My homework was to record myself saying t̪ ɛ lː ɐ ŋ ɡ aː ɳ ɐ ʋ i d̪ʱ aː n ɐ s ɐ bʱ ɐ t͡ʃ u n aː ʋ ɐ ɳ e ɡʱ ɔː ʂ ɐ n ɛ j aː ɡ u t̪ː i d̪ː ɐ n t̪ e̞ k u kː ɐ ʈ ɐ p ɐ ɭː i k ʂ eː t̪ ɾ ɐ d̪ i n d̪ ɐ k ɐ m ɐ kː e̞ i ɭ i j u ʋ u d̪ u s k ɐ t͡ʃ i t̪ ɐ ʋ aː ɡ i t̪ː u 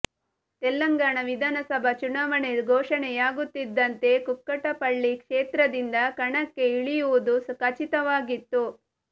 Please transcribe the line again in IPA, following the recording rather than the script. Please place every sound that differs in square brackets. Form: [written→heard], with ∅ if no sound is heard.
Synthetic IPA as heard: t̪ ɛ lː ɐ ŋ ɡ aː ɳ ɐ ʋ i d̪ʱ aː n ɐ s ɐ bʱ ɐ t͡ʃ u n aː ʋ ɐ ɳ e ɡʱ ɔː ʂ ɐ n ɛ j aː ɡ u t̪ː i d̪ː ɐ n t̪ e̞ k u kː ɐ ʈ ɐ p ɐ ɭː i k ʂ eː t̪ ɾ ɐ d̪ i n d̪ ɐ k ɐ [m→ɳ] ɐ kː e̞ i ɭ i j u ʋ u d̪ u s k ɐ t͡ʃ i t̪ ɐ ʋ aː ɡ i t̪ː u